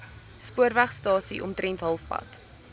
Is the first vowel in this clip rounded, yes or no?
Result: yes